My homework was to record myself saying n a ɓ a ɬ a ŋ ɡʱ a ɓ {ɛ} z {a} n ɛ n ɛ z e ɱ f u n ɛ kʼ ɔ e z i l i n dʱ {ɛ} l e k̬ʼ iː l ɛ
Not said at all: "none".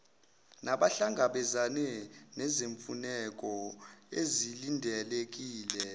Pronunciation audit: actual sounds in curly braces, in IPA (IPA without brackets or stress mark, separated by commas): ɛ, a, ɛ